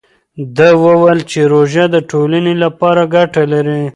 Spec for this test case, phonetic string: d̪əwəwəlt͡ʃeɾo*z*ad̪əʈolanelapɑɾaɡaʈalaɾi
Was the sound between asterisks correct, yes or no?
no